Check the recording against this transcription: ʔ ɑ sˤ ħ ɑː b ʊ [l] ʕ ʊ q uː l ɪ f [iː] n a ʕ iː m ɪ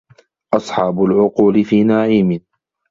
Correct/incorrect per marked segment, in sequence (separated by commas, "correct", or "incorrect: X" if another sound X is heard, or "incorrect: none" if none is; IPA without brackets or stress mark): correct, correct